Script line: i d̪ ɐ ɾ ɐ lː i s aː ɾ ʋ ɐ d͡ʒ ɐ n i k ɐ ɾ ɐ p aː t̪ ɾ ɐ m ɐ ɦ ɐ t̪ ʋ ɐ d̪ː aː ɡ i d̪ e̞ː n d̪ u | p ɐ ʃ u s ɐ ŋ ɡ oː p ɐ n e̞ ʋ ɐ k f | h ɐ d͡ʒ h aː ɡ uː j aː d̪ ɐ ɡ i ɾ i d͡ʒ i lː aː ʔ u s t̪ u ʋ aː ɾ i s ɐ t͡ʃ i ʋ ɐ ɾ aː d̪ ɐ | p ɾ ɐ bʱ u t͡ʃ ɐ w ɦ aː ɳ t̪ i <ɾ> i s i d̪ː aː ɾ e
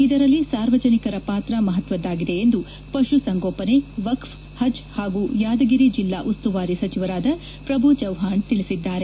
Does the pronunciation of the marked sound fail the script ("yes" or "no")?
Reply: yes